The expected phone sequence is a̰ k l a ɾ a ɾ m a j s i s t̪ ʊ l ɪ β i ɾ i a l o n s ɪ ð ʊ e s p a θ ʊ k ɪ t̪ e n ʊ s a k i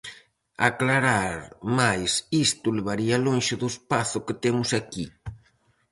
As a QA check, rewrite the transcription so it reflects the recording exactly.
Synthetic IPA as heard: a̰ k l a ɾ a ɾ m a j s i s t̪ ʊ l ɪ β a ɾ i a l o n ʃ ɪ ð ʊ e s p a θ ʊ k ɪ t̪ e m ʊ s a k i